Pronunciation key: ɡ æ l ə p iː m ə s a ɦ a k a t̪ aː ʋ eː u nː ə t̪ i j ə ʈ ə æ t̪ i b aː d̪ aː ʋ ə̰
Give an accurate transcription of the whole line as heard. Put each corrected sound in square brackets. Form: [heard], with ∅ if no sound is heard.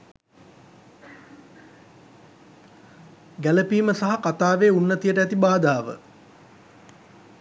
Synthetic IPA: ɡ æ l ə p iː m ə s a ɦ a k a t̪ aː ʋ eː u nː ə t̪ i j ə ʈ ə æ t̪ i b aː d̪ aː ʋ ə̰